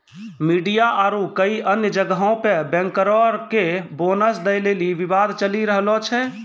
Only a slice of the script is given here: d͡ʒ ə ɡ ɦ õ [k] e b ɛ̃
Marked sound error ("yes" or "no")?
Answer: yes